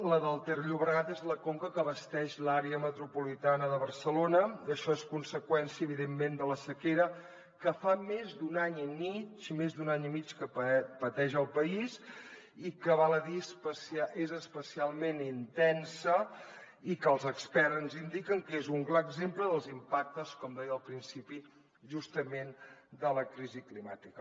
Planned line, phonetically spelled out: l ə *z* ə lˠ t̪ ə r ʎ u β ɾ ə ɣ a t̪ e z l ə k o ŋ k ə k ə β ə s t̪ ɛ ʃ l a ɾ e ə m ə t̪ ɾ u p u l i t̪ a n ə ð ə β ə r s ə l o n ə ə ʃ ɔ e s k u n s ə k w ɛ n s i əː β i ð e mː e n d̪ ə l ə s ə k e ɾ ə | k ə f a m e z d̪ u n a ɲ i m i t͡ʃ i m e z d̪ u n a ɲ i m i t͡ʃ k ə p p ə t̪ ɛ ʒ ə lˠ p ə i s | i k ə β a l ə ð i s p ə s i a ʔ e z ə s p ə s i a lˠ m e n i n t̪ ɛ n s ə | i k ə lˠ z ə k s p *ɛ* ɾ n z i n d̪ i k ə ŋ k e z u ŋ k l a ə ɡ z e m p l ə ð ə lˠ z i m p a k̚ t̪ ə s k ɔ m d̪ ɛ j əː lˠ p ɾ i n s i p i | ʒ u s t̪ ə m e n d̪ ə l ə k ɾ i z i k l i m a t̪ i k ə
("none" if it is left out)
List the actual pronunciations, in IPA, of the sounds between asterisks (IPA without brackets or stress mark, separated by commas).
ð, ɛ